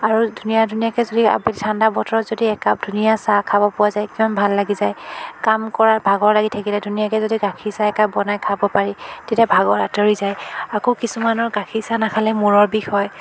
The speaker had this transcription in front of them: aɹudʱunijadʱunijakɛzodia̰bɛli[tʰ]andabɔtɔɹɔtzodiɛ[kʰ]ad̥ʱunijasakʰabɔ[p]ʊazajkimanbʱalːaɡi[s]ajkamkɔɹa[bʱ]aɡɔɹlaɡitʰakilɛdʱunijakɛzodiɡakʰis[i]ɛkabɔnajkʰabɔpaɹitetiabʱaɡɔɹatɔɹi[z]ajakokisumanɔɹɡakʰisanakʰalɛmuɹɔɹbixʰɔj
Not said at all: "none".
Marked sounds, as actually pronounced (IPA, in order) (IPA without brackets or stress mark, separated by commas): tʰ, k, p, z, bʱ, a, z